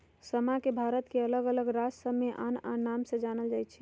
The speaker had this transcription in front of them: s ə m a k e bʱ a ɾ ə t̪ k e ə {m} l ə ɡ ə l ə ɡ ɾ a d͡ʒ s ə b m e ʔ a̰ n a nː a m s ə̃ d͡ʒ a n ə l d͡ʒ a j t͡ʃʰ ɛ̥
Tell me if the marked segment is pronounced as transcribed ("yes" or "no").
no